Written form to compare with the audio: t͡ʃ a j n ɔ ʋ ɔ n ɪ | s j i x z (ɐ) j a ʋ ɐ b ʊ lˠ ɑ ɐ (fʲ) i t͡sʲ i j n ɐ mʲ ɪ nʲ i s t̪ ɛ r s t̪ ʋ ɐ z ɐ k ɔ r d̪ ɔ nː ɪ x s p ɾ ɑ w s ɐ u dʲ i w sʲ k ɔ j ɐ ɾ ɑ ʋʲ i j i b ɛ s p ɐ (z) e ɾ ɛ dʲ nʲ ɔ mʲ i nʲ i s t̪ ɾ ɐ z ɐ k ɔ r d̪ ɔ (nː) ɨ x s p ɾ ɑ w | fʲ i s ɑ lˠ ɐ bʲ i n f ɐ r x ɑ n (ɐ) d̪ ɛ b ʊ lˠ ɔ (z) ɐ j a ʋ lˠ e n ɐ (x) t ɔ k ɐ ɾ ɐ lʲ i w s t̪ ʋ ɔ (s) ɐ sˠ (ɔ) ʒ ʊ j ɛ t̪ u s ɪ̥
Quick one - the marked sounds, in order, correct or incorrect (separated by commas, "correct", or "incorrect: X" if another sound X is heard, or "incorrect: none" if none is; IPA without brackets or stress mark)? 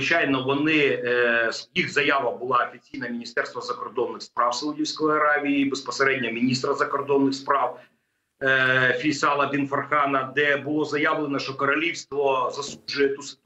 correct, correct, incorrect: s, correct, correct, correct, incorrect: ʃ, incorrect: z, incorrect: u